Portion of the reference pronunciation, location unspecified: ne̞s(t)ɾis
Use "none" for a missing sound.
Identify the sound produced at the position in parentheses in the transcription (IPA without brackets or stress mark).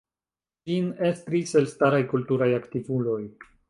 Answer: t